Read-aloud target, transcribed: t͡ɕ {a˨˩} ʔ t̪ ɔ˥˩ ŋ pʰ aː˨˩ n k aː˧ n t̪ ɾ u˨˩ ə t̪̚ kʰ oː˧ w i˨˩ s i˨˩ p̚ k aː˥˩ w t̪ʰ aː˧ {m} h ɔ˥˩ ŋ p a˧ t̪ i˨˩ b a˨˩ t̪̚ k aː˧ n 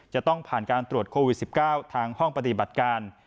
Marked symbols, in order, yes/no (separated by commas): yes, no